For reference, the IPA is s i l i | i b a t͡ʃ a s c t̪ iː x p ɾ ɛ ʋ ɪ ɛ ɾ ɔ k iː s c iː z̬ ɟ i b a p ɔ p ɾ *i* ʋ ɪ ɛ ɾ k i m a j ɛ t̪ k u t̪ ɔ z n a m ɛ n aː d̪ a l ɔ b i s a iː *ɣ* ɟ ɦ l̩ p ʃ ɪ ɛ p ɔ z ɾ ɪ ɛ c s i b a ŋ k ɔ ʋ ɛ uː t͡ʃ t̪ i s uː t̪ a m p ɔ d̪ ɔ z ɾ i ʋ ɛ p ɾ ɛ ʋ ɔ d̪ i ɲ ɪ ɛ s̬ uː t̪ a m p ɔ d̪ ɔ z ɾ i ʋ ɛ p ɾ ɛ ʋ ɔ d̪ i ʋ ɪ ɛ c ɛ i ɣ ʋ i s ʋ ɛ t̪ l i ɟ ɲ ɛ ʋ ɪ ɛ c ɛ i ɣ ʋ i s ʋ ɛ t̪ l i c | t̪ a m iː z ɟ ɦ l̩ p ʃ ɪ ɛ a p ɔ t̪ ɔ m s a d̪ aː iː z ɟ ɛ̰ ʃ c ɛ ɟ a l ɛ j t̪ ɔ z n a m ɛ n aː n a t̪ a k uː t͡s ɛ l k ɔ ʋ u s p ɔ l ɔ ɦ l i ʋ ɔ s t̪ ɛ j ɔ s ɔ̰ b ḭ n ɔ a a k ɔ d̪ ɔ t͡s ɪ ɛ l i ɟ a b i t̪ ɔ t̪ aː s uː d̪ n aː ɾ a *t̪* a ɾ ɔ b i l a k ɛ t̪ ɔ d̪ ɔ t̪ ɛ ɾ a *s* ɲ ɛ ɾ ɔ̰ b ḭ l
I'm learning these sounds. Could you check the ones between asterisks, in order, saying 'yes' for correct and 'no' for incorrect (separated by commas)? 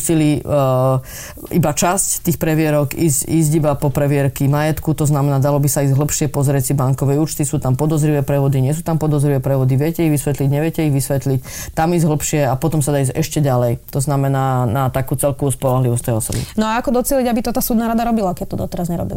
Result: no, no, no, no